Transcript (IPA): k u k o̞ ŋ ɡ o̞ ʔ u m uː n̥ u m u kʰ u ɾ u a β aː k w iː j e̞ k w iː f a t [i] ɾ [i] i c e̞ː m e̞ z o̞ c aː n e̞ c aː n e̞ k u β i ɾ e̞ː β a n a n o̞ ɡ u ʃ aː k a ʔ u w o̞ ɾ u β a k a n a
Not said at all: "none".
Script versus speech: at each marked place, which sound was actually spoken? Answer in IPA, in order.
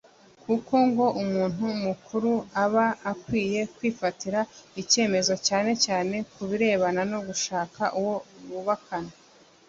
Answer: i, a

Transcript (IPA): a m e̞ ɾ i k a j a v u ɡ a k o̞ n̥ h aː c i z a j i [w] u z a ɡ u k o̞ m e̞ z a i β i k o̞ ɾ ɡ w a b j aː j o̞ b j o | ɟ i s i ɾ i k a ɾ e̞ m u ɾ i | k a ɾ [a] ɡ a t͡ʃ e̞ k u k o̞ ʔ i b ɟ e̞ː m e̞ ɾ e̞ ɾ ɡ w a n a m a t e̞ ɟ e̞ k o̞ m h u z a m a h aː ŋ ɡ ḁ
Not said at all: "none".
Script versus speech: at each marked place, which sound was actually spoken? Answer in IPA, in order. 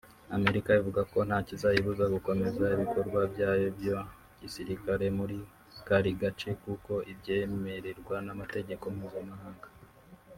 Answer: β, i

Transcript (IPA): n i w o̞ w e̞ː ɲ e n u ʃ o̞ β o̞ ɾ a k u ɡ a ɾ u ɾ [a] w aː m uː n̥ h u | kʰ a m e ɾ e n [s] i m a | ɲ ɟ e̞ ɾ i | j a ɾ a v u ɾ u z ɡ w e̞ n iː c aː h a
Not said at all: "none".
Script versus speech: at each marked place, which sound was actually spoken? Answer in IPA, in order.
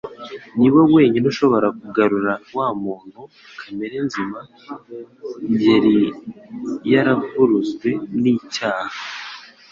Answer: a, z

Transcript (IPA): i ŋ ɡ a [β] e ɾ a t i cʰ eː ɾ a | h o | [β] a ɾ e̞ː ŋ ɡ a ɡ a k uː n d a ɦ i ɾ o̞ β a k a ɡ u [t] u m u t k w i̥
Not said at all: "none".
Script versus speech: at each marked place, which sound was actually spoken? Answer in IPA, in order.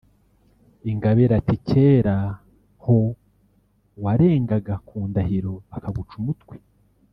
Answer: β, w, t͡ʃ

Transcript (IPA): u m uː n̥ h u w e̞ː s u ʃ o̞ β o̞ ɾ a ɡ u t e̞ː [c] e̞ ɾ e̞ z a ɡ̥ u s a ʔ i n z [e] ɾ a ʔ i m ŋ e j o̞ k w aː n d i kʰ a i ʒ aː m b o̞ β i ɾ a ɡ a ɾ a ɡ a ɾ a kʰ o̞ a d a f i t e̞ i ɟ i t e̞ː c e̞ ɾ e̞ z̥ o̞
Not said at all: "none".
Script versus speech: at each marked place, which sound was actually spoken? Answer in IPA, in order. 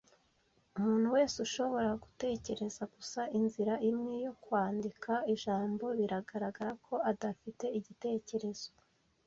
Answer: c, i

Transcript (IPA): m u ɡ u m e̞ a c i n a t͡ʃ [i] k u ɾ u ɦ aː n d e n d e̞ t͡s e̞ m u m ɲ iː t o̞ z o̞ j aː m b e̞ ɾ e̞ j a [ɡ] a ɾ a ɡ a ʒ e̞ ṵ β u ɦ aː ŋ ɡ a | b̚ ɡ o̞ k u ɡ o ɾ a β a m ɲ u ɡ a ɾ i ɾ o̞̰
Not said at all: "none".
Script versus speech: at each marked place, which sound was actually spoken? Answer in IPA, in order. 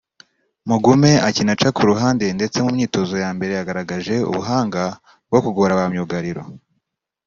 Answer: a, ɡ

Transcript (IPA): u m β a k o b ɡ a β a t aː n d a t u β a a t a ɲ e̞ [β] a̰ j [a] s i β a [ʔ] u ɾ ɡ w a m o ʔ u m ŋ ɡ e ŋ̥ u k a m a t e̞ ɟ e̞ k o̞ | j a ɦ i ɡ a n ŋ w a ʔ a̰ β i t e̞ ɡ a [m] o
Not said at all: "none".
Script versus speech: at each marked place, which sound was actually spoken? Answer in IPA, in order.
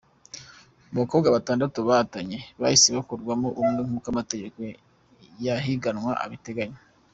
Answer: β, i, k, ɲ

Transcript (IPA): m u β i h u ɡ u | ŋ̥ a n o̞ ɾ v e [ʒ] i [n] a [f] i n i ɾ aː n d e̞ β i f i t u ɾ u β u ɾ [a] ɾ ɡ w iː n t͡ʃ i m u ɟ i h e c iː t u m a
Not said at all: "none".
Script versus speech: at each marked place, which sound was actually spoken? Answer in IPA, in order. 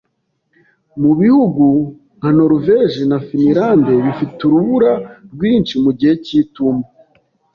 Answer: ʒ, n, f, a

